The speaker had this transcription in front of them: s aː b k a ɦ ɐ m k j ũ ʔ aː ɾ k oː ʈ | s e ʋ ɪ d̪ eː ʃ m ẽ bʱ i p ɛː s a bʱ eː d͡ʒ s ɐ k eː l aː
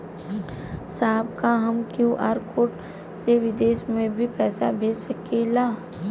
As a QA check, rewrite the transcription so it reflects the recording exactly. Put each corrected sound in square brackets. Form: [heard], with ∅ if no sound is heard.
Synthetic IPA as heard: s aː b k a ɦ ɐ m k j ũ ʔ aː ɾ k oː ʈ | s e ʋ ɪ d̪ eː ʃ m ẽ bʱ i p ɛː s a bʱ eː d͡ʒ s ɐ k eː l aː